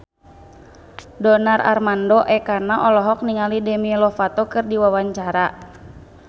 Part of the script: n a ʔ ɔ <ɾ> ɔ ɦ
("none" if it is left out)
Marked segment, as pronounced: l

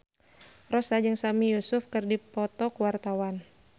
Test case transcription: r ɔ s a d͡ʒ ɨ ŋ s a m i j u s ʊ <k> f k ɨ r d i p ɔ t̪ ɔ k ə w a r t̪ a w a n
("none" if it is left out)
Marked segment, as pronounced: none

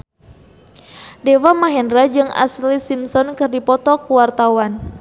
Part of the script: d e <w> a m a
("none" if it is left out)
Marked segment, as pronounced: w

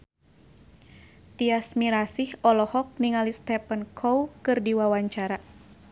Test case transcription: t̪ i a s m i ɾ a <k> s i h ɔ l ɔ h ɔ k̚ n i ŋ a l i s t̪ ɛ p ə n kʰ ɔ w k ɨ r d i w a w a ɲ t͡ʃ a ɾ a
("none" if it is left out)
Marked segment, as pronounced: none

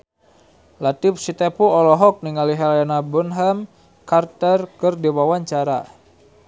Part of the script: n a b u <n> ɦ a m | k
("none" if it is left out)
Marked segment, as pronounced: n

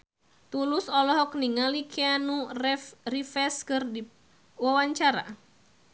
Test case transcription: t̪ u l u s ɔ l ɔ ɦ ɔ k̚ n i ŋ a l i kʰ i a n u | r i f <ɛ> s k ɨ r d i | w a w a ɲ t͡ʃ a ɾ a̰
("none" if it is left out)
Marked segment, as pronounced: ɛ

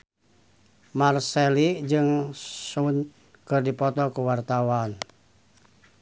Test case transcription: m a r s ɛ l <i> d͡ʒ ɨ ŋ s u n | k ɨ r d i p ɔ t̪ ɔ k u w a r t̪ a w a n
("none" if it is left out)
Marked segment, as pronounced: i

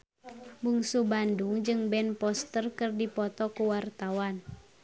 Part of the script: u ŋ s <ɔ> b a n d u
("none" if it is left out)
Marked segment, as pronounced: u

